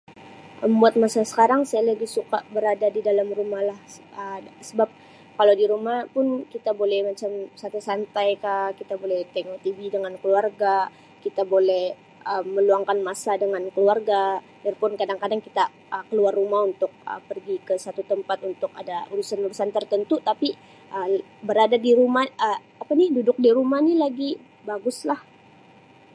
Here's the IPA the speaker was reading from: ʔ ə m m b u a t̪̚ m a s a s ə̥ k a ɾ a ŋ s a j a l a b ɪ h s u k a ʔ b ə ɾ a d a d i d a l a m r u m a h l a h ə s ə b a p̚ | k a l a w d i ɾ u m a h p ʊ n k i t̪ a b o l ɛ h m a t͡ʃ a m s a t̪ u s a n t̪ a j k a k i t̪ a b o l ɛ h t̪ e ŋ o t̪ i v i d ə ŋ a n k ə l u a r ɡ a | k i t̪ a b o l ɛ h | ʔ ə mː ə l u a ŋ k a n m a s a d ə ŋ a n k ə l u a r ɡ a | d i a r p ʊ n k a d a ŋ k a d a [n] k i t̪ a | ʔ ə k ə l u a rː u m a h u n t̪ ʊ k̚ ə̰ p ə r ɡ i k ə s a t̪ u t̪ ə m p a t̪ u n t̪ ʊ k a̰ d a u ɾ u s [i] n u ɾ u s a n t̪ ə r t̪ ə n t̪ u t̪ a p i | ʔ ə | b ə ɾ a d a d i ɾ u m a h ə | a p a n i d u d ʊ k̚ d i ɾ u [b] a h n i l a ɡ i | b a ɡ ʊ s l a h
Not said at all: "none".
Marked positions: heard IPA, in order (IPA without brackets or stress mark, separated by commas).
ŋ, a, m